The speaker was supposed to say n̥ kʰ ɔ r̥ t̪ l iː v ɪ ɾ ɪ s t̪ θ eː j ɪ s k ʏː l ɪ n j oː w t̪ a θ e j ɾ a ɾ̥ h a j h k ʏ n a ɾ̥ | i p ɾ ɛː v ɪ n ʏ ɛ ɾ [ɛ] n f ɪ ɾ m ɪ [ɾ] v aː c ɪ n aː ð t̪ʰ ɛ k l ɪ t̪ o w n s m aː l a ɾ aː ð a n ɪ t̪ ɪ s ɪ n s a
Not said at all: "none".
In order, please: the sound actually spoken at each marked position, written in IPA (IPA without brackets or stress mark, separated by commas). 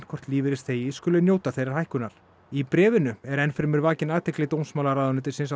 ɛ, ɾ